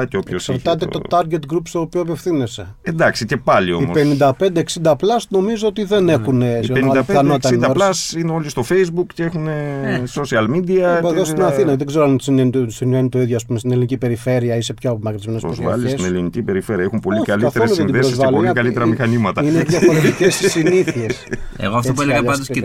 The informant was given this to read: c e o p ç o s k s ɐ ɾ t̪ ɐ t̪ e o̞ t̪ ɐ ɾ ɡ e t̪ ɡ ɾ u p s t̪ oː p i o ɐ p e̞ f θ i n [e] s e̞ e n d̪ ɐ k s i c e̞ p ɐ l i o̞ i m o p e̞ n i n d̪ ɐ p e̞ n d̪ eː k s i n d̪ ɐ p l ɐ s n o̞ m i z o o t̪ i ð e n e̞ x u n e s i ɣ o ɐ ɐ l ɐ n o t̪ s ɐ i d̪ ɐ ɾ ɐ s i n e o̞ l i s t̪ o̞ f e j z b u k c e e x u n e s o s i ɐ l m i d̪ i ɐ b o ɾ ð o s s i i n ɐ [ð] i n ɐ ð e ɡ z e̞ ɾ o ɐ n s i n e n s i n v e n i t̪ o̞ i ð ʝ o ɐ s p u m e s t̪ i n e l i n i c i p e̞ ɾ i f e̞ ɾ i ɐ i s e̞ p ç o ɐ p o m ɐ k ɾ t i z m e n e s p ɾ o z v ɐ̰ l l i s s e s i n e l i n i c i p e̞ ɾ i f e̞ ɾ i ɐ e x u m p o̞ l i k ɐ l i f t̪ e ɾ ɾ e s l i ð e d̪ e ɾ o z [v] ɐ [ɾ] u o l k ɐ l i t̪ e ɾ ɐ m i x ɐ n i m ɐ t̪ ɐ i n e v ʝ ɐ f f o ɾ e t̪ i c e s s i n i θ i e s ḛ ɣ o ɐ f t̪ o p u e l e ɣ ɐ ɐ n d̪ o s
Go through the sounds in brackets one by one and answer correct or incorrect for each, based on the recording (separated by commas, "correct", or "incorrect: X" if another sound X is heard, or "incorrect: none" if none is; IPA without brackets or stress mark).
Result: correct, incorrect: θ, correct, incorrect: l